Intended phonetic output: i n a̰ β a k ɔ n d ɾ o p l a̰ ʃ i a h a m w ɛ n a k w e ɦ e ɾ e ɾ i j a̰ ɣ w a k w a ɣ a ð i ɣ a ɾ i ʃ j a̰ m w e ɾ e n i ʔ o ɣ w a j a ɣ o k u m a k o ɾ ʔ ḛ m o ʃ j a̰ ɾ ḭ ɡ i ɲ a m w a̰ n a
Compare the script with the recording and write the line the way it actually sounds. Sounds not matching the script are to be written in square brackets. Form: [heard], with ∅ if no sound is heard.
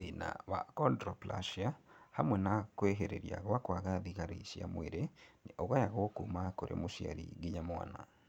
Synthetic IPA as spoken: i n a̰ β a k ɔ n d ɾ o p l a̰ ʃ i a h a m w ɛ n a k w e ɦ e ɾ e ɾ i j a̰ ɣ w a k w a ɣ a ð i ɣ a ɾ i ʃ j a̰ m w e ɾ e n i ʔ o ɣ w a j a ɣ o k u m a k o ɾ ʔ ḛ m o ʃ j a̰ ɾ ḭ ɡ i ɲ a m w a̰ n a